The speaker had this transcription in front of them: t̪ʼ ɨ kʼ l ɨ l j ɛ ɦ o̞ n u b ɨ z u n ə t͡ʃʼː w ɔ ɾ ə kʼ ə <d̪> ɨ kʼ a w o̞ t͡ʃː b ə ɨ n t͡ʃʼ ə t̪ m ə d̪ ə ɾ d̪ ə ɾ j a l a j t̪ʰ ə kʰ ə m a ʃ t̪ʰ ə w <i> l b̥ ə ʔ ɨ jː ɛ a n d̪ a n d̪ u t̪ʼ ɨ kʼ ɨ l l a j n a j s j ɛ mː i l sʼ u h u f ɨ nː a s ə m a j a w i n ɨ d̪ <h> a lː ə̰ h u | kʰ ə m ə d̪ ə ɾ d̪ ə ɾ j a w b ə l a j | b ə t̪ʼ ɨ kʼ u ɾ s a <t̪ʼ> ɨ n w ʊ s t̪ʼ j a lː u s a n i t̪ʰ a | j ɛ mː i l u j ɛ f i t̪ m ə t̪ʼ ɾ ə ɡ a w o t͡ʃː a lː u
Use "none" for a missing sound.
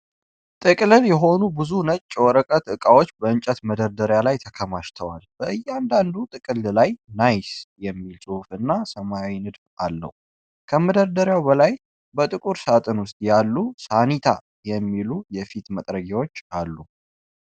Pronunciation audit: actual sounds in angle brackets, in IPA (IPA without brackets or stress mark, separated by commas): t̪, a, f, t̪ʼ